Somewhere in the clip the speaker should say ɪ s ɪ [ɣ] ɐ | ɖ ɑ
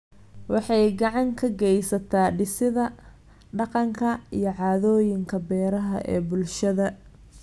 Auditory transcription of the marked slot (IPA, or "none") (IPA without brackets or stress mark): ð